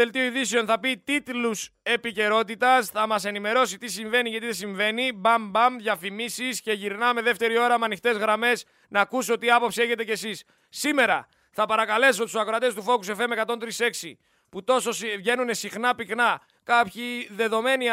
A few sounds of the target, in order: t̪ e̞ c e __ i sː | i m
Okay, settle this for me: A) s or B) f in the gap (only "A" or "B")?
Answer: A